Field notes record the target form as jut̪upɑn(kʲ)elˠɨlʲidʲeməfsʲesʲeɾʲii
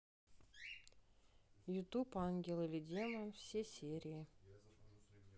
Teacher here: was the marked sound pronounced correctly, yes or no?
no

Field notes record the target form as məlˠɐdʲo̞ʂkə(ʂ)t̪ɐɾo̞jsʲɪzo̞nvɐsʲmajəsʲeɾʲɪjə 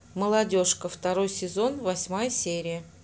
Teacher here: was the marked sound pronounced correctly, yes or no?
no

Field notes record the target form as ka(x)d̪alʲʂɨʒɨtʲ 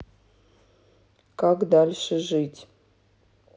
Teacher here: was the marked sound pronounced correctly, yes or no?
no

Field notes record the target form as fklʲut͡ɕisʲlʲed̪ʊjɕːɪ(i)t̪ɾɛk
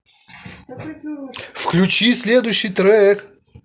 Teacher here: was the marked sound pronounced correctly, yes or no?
no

